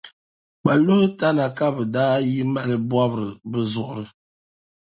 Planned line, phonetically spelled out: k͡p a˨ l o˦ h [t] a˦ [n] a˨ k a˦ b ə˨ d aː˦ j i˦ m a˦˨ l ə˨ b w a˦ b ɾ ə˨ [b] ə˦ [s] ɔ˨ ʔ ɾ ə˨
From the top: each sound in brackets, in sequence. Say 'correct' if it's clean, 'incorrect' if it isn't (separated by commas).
correct, correct, correct, incorrect